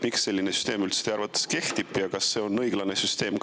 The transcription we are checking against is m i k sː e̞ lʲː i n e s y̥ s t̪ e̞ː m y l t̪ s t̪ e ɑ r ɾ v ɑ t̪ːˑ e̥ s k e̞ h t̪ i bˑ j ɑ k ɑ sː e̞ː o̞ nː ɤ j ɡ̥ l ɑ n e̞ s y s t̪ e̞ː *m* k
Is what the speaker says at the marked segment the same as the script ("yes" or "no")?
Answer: yes